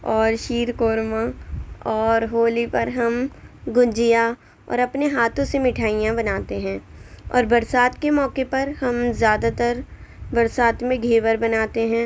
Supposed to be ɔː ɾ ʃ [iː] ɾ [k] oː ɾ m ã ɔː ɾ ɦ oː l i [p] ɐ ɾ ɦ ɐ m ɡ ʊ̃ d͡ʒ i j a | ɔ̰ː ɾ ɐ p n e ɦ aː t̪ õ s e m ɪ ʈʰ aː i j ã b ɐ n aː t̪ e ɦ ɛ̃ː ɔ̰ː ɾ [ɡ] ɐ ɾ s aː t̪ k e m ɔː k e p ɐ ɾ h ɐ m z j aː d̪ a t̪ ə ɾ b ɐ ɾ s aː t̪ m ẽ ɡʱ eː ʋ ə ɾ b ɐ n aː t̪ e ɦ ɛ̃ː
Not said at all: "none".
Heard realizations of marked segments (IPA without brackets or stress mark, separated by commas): iː, k, p, b